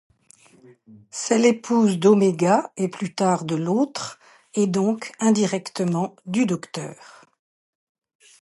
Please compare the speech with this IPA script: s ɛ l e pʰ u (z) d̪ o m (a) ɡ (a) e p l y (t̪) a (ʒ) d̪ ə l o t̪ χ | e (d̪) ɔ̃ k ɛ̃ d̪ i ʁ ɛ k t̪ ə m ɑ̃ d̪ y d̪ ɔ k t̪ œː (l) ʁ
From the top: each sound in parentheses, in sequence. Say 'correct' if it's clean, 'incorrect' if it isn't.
correct, incorrect: e, correct, correct, incorrect: ʁ, correct, incorrect: none

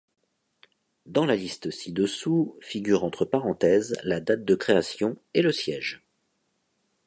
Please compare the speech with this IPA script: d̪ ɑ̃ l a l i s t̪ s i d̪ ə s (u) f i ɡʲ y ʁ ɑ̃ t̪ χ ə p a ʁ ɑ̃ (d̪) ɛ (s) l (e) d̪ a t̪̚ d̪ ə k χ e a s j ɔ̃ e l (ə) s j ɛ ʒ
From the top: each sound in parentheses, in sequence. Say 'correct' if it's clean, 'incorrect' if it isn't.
correct, incorrect: t̪, incorrect: z, incorrect: a, correct

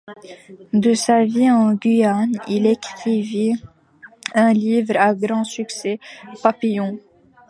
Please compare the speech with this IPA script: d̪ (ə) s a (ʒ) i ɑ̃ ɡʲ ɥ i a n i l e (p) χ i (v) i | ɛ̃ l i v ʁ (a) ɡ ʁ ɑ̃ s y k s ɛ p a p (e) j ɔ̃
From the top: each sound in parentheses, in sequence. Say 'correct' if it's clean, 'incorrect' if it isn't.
correct, incorrect: v, incorrect: k, correct, correct, incorrect: i

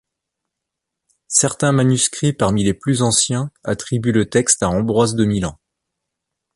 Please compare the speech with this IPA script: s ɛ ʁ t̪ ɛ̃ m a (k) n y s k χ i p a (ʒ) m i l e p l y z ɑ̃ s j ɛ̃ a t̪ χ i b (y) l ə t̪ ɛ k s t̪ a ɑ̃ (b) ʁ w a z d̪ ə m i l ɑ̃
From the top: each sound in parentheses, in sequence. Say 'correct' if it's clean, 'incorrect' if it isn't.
incorrect: none, incorrect: ʁ, correct, correct

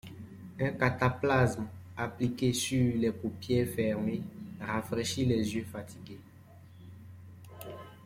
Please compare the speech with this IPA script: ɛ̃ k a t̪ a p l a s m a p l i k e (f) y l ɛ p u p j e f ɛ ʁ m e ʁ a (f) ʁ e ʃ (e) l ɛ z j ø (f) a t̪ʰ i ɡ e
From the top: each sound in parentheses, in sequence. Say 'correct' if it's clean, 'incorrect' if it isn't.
incorrect: s, correct, incorrect: i, correct

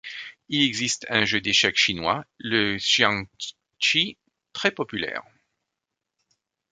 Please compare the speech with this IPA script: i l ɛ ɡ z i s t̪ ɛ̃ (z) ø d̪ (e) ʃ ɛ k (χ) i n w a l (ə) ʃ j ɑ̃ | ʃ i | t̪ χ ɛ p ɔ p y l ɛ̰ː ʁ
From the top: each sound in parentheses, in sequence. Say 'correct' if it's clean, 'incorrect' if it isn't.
incorrect: ʒ, correct, incorrect: ʃ, correct

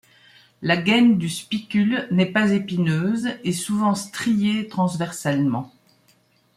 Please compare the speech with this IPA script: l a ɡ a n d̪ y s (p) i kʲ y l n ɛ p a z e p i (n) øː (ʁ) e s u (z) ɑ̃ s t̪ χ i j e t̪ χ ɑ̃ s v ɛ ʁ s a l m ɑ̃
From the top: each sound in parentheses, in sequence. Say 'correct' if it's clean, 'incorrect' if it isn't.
correct, correct, incorrect: z, incorrect: v

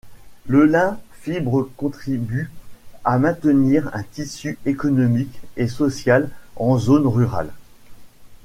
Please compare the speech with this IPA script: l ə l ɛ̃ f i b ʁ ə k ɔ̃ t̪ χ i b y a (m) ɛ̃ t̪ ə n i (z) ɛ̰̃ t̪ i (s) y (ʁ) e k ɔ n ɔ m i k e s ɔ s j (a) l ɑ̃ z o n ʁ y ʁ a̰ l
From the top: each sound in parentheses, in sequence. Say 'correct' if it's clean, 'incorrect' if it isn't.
correct, incorrect: ʁ, correct, incorrect: none, correct

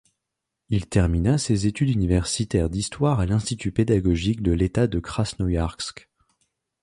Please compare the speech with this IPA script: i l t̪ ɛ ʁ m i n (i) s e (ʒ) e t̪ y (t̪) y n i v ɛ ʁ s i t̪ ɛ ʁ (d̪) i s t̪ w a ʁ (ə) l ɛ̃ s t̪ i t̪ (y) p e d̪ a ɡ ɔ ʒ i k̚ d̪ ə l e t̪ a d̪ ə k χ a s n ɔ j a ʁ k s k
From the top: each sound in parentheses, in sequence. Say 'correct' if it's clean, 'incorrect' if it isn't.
incorrect: a, incorrect: z, incorrect: d̪, correct, incorrect: a, correct

